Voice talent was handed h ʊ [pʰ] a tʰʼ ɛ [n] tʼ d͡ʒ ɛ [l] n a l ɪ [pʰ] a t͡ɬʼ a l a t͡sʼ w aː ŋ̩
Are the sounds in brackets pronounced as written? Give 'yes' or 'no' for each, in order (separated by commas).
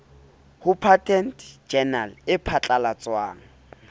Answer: yes, yes, no, yes